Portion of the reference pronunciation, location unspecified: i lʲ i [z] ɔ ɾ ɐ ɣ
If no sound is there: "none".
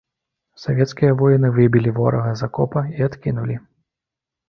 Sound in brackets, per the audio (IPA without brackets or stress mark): v